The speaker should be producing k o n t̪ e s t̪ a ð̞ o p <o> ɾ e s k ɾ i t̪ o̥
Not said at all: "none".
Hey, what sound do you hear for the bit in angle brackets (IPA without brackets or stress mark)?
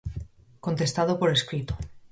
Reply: o